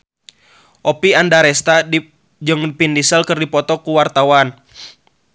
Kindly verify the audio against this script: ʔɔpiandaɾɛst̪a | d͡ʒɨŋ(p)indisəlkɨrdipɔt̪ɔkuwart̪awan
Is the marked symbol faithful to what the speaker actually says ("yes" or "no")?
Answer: yes